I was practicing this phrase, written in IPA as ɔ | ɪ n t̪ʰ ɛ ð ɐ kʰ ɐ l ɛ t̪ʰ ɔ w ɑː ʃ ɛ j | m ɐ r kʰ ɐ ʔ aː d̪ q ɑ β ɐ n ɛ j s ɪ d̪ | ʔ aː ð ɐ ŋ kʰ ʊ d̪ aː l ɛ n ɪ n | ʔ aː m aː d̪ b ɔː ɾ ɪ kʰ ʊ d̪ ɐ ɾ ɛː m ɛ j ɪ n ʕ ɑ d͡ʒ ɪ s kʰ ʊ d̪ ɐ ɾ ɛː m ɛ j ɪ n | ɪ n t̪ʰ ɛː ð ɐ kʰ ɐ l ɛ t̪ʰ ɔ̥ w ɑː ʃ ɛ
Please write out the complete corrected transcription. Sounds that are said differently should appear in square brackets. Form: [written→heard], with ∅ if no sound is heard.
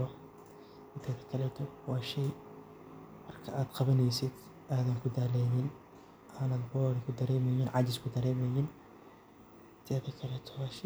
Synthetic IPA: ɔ | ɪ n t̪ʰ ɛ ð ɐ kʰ ɐ l ɛ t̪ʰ ɔ w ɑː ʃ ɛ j | m ɐ r kʰ ɐ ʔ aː d̪ q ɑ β ɐ n ɛ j s ɪ d̪ | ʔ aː ð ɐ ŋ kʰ ʊ d̪ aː l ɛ n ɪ n | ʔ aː [m→n] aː d̪ b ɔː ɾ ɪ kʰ ʊ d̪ ɐ ɾ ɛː m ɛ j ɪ n ʕ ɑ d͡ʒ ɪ s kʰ ʊ d̪ ɐ ɾ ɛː m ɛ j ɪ n | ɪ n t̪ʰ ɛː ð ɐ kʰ ɐ l ɛ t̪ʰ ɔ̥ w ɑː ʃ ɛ